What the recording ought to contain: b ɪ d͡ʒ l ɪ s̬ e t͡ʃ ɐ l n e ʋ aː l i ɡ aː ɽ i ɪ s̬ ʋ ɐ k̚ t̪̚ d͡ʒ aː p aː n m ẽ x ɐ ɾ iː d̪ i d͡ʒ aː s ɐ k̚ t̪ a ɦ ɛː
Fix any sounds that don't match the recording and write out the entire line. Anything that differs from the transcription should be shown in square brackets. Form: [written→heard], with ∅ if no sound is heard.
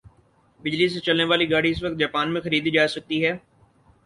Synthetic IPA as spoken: b ɪ d͡ʒ l [ɪ→i] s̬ e t͡ʃ ɐ l n e ʋ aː l i ɡ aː ɽ i ɪ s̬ ʋ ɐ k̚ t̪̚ d͡ʒ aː p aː n m ẽ x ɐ ɾ iː d̪ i d͡ʒ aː s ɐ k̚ t̪ [a→i] ɦ ɛː